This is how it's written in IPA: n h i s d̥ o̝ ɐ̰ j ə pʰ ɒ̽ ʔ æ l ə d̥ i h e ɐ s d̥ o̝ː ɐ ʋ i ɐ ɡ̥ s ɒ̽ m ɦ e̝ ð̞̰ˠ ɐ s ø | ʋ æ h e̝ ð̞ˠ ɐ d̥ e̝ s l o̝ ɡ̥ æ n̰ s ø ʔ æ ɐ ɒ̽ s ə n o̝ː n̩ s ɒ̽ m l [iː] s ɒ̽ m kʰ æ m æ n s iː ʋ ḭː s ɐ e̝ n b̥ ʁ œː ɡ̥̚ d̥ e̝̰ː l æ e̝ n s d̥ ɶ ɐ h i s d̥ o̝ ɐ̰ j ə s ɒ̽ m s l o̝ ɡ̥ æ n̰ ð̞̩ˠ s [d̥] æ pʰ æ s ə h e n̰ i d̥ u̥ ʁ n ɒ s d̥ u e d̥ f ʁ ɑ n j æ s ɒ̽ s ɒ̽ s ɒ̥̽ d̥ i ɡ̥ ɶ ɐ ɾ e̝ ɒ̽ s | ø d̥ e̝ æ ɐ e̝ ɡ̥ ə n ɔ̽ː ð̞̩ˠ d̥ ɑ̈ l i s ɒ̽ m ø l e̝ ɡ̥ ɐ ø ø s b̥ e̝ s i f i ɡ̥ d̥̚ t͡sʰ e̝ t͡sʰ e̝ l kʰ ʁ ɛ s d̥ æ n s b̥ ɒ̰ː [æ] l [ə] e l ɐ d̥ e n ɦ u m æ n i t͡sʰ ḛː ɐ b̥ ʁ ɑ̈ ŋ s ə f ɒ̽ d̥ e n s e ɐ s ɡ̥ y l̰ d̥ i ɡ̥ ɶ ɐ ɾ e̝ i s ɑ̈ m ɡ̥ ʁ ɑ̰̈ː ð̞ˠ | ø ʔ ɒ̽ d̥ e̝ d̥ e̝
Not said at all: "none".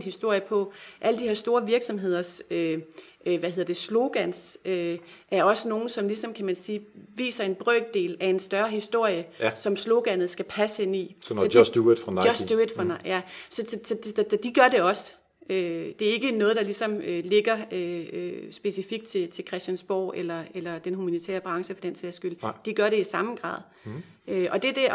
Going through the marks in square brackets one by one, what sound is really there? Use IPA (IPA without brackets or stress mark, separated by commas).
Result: i, ɡ̥, e, ɐ